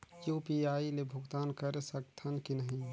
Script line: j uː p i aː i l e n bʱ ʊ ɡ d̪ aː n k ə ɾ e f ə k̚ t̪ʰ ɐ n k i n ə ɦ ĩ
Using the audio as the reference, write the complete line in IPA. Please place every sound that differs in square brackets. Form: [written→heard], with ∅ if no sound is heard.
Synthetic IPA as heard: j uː p i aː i l e [n→∅] bʱ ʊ ɡ [d̪→t̪] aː n k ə ɾ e [f→s] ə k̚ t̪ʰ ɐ n k i n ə ɦ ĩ